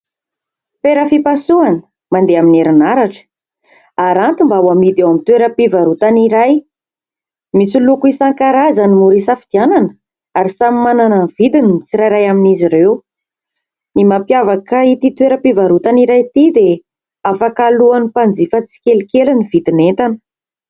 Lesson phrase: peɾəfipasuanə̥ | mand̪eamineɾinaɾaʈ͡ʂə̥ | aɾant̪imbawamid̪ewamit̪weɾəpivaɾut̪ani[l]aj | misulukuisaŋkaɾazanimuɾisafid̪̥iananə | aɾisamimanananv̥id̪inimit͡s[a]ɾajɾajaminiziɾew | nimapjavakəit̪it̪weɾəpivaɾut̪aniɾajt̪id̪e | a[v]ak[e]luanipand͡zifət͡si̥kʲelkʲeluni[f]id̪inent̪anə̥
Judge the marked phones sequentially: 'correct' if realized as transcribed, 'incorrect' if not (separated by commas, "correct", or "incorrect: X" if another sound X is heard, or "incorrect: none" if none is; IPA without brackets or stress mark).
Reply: incorrect: ɾ, incorrect: i, incorrect: f, incorrect: a, incorrect: v